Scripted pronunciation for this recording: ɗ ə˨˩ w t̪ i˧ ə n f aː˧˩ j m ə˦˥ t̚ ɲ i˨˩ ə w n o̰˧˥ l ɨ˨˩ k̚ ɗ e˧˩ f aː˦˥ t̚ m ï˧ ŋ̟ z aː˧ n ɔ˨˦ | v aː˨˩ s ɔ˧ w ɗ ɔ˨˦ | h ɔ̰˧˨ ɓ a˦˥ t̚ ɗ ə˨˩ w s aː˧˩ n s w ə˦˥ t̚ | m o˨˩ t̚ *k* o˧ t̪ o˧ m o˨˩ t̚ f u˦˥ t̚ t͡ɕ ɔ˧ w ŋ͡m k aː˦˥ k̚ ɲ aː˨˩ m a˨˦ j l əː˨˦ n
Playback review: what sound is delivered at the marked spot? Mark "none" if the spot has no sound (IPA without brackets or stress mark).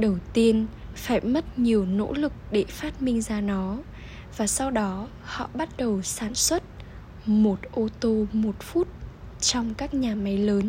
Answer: ʔ